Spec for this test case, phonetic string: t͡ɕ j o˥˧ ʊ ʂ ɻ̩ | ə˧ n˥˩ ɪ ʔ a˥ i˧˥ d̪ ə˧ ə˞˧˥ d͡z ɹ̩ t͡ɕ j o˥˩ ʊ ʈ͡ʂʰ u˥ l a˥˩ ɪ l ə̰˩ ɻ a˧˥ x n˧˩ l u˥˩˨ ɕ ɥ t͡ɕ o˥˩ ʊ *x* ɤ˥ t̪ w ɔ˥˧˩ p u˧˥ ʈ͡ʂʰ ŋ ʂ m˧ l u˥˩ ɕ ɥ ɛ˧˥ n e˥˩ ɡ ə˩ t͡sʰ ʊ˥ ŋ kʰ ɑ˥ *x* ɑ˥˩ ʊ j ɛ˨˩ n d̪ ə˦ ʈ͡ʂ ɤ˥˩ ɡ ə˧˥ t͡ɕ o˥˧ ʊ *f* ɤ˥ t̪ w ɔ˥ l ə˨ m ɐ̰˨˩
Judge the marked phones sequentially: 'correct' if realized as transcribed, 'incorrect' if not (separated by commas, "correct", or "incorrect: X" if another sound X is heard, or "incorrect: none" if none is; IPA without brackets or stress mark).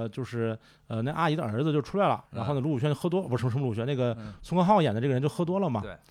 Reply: correct, correct, incorrect: x